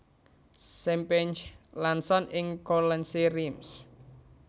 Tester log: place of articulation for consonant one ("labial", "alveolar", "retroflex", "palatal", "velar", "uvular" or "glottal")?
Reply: alveolar